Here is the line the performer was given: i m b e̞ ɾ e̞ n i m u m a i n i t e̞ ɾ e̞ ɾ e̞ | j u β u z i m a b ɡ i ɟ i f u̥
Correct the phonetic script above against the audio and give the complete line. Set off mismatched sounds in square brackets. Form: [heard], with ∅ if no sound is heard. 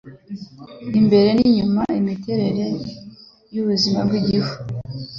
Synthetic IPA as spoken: i m b e̞ ɾ e̞ n i [ɲ] u m a i [m] i t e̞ ɾ e̞ ɾ e̞ | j u β u z i m a b ɡ i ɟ i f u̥